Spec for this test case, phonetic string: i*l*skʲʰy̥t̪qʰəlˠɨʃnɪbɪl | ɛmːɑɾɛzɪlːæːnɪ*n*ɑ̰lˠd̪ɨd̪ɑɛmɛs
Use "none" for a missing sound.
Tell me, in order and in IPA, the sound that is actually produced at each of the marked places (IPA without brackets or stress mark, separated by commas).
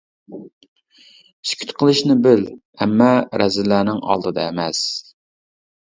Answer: none, ŋ